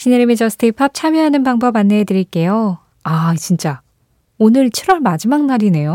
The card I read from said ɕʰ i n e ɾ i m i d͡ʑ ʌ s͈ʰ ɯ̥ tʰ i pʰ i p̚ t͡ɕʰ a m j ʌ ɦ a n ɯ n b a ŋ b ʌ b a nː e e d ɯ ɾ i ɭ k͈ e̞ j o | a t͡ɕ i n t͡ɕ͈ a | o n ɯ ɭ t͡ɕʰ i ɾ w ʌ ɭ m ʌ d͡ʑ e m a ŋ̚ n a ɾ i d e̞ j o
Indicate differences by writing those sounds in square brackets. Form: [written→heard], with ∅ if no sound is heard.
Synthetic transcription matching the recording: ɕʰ i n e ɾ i m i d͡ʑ ʌ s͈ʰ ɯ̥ tʰ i pʰ [i→a] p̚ t͡ɕʰ a m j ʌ ɦ a n ɯ n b a ŋ b ʌ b a nː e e d ɯ ɾ i ɭ k͈ e̞ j o | a t͡ɕ i n t͡ɕ͈ a | o n ɯ ɭ t͡ɕʰ i ɾ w ʌ ɭ m [ʌ→a] d͡ʑ [e→i] m a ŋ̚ n a ɾ i [d→n] e̞ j o